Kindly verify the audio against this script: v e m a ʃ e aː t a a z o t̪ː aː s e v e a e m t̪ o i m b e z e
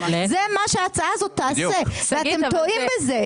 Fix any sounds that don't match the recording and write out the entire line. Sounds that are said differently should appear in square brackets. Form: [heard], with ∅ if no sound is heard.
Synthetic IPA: [z] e m a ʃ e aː [t͡s] a a z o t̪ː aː s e v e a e m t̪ o i m b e z e